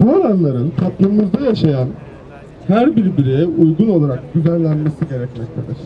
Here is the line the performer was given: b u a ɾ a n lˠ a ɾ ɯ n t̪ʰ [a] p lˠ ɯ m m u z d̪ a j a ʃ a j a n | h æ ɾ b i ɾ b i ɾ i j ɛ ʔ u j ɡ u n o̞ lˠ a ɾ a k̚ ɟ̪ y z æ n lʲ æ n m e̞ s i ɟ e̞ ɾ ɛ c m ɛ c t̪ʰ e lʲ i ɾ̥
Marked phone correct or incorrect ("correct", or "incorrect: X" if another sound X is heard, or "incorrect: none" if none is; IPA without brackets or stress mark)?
correct